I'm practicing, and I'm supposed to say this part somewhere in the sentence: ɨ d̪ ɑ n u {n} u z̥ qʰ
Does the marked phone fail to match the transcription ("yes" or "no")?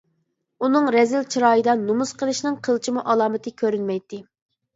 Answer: yes